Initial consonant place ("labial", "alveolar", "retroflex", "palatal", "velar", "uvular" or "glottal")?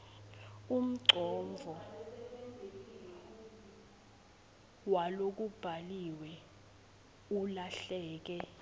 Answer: labial